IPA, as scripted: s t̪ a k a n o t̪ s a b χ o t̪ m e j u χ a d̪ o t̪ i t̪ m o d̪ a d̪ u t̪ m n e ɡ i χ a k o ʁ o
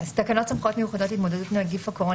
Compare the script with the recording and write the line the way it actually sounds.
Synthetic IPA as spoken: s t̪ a k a n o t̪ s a m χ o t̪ m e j u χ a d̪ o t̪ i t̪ m o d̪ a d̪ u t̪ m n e ɡ i f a k o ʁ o